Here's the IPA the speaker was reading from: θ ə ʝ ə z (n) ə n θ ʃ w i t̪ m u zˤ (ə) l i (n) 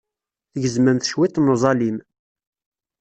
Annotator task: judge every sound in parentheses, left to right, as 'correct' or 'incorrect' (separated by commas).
incorrect, incorrect, incorrect